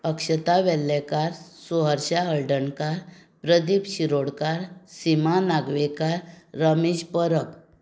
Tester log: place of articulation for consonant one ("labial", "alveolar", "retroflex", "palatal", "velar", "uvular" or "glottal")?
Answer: velar